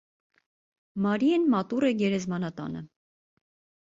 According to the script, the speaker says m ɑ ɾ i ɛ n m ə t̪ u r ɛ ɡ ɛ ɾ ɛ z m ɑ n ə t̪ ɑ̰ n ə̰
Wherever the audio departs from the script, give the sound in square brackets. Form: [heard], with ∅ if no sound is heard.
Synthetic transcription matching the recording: m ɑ ɾ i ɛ n m [ɑ] t̪ u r ɛ ɡ ɛ ɾ ɛ z m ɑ n [ɑ] t̪ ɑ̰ n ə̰